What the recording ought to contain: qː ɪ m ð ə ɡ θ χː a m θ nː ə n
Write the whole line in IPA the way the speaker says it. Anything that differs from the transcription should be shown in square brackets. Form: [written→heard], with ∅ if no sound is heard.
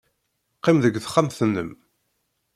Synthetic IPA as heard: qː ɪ m ð ə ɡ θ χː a m θ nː ə [n→m]